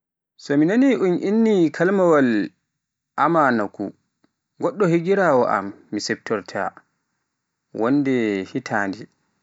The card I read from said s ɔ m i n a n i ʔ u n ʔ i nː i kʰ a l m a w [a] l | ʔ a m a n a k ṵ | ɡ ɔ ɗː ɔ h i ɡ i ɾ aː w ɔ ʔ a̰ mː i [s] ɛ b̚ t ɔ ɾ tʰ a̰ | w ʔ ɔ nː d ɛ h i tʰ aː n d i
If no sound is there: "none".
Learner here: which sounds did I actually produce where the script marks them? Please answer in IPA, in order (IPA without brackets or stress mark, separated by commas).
a, s